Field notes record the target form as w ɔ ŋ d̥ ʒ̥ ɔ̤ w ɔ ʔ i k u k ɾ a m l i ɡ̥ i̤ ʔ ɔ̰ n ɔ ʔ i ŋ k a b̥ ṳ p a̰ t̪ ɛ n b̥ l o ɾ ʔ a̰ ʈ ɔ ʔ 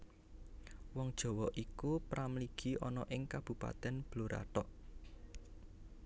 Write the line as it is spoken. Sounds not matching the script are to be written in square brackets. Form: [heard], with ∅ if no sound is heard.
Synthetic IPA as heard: w ɔ ŋ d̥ ʒ̥ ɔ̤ w ɔ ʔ i k u [p] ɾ a m l i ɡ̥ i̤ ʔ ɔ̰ n ɔ ʔ [ɪ] ŋ k a b̥ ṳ p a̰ t̪ ɛ n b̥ l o ɾ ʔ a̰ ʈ ɔ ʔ